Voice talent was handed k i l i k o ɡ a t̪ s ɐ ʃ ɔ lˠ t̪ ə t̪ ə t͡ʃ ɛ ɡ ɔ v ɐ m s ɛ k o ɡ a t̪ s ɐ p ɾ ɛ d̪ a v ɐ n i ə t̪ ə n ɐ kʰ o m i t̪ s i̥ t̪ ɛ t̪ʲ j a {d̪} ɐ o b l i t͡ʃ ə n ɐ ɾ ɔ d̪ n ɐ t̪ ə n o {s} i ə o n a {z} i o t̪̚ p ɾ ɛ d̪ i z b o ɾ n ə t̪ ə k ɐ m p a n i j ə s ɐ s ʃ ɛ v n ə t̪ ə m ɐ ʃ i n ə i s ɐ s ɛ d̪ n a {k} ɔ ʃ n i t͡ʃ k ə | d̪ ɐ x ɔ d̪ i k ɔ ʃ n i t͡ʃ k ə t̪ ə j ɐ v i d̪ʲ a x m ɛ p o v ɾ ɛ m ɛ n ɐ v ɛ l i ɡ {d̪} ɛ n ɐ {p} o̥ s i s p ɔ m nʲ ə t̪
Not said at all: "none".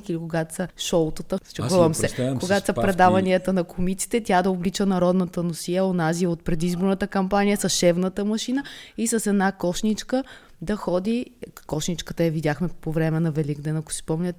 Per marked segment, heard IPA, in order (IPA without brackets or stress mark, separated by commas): d̪, s, z, k, d̪, k